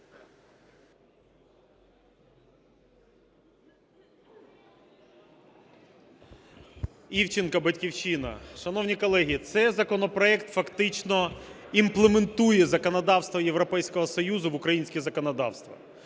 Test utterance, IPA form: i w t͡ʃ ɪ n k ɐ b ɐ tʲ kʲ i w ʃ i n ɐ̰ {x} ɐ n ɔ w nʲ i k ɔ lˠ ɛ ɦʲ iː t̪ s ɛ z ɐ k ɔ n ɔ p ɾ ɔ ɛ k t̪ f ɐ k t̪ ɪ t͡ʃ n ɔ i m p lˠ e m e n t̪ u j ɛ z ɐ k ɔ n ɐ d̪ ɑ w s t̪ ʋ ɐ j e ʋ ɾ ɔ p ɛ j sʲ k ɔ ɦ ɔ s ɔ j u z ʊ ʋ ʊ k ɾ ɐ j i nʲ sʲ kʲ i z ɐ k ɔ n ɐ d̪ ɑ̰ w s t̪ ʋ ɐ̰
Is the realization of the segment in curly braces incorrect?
yes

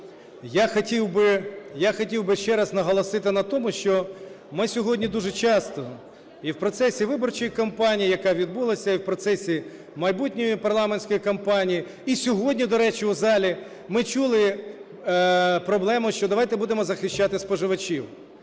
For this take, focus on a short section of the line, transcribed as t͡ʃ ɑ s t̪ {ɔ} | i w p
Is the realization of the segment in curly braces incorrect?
no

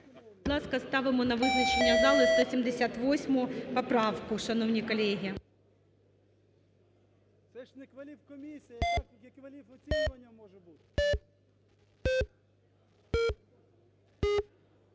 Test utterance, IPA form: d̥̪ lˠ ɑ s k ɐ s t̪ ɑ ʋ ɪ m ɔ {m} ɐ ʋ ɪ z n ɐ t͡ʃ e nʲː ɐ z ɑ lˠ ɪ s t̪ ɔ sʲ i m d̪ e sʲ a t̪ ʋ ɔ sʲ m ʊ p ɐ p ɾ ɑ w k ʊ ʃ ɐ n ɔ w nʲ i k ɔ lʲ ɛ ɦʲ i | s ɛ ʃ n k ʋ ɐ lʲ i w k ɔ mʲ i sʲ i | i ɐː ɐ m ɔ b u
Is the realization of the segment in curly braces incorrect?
yes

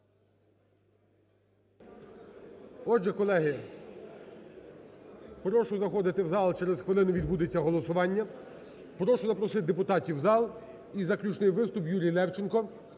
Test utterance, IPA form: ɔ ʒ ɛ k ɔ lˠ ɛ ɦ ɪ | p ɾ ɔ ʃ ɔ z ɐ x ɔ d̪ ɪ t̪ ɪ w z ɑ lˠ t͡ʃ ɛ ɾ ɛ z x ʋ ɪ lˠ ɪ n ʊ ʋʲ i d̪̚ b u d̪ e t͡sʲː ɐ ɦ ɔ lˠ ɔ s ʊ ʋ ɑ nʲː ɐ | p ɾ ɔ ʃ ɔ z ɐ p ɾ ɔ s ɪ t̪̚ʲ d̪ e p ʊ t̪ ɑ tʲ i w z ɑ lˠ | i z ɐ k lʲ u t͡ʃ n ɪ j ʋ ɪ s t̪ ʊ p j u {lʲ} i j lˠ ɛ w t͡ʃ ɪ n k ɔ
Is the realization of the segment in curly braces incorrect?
yes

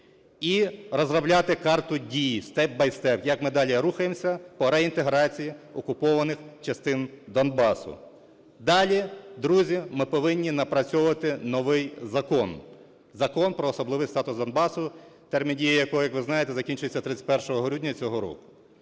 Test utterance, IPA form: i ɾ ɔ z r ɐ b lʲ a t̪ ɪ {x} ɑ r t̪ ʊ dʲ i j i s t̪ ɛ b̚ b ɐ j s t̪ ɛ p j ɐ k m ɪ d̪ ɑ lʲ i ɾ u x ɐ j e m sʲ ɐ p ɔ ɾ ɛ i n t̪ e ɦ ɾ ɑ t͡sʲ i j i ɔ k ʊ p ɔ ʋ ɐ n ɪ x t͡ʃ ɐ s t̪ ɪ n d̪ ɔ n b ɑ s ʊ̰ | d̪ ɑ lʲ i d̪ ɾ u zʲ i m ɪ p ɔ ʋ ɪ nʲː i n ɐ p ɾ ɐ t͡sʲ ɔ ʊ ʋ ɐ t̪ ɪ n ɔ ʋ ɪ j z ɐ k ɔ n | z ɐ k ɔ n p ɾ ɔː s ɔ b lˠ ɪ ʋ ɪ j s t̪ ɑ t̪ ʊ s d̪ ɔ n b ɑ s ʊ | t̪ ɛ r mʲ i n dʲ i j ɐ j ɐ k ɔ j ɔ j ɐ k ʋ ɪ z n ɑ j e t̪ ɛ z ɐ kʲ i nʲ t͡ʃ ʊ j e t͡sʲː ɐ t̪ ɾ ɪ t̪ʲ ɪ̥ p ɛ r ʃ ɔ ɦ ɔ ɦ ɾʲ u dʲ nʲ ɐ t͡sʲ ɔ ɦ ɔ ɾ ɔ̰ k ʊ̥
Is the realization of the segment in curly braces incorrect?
yes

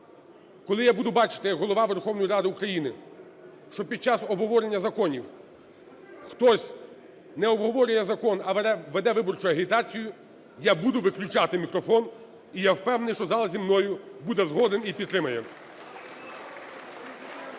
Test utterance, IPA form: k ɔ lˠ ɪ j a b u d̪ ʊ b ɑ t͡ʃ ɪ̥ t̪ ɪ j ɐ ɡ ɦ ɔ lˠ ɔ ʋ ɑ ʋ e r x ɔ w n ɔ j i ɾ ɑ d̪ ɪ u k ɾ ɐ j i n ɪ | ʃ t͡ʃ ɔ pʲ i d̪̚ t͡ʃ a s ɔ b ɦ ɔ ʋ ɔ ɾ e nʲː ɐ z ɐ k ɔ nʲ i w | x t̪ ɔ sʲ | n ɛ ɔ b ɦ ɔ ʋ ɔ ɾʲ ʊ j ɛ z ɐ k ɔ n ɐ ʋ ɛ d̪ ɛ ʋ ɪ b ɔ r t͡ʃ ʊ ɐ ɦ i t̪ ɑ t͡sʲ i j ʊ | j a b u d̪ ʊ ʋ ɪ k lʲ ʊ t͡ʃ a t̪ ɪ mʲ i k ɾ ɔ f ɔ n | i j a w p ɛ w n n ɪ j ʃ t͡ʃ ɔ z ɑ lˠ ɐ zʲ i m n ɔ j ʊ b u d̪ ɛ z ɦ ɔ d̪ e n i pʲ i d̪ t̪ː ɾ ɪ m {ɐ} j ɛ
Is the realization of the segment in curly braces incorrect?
no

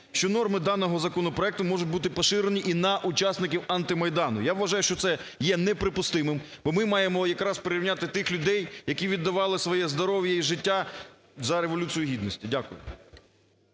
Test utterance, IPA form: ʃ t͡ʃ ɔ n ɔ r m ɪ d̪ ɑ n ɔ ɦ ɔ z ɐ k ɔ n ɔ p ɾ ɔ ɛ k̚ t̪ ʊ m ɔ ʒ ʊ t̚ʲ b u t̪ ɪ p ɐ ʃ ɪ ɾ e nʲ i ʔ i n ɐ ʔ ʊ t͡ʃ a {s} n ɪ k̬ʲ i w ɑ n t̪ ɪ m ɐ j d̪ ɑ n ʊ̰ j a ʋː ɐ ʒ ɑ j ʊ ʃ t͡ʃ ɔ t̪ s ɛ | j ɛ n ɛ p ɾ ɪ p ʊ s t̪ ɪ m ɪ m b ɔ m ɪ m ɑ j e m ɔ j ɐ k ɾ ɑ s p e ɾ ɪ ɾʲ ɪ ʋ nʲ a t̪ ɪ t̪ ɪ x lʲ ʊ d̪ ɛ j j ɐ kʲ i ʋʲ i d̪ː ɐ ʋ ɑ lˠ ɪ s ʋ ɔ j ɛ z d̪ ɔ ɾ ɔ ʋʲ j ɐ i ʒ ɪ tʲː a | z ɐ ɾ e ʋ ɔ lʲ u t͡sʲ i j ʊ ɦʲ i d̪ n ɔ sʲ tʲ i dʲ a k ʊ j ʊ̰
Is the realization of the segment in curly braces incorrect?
no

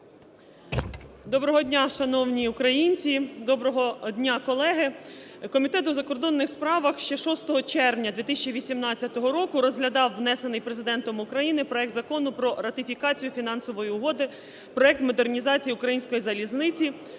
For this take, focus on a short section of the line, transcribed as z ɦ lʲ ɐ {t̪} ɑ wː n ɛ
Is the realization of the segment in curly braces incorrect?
yes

